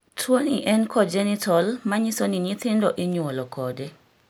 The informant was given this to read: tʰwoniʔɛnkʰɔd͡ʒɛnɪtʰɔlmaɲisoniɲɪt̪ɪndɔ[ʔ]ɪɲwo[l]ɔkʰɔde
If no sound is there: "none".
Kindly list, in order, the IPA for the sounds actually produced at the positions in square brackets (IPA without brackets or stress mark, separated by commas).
ʔ, l